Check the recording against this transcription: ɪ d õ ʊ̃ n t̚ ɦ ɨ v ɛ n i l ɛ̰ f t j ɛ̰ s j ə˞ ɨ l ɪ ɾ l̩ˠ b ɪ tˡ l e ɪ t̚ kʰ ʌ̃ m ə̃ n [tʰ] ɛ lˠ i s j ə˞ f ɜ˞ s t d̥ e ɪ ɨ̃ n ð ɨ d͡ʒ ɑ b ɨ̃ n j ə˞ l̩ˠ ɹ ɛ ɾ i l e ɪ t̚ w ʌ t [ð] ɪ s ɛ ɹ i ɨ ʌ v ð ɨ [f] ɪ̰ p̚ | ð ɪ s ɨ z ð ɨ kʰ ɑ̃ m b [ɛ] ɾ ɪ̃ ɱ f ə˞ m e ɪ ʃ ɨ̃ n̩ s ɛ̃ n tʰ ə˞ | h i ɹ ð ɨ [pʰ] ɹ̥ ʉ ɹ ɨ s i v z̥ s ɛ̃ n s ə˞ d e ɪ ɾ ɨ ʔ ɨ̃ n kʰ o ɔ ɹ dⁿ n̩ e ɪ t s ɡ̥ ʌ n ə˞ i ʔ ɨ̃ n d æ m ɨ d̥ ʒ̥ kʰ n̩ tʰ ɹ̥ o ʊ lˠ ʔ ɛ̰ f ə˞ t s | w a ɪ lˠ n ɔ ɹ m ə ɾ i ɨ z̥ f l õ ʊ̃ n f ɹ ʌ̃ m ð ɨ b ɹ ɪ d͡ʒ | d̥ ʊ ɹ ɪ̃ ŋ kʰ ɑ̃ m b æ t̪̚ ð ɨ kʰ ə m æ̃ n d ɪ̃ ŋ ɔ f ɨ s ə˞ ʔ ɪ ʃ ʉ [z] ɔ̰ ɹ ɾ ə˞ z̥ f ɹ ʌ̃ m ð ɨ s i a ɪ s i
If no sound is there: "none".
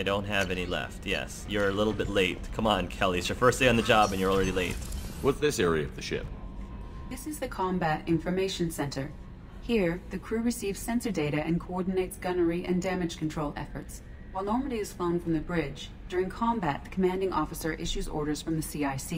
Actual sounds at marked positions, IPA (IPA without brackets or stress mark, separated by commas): kʰ, ð, ʃ, æ, kʰ, z